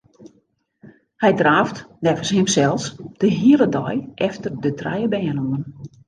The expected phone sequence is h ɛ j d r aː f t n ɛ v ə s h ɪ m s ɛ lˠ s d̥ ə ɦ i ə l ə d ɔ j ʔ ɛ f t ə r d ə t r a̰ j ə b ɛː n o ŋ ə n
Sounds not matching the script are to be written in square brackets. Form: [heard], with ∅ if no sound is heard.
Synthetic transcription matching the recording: h ɛ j d r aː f t n ɛ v ə s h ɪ m s ɛ lˠ s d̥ ə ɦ i ə l ə d ɔ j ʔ ɛ f t ə r d ə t r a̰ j ə b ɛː n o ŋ ə n